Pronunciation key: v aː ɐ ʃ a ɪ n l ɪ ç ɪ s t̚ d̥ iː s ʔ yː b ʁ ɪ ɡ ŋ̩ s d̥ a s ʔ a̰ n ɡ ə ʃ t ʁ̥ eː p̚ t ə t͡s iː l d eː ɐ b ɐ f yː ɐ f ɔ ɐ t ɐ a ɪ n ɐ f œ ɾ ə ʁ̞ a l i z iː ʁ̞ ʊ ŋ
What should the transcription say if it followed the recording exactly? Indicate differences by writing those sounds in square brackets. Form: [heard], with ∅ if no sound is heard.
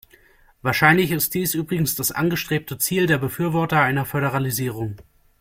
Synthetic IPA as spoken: v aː ɐ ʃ a ɪ n l ɪ ç ɪ s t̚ d̥ iː s ʔ yː b ʁ ɪ ɡ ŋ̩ s d̥ a s ʔ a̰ n ɡ ə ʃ t ʁ̥ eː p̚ t ə t͡s iː l d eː ɐ b [ə] f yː ɐ [v] ɔ ɐ t ɐ a ɪ n ɐ f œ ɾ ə ʁ̞ a l i z iː ʁ̞ ʊ ŋ